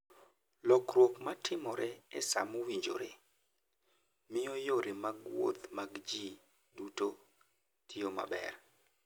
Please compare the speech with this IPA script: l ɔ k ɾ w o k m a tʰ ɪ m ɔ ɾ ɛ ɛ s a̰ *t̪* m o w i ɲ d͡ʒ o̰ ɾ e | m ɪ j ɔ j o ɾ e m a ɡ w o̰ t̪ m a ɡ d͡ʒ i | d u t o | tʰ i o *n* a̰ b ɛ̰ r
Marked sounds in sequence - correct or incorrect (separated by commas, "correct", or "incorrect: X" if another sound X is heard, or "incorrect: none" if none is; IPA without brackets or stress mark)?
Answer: incorrect: none, incorrect: m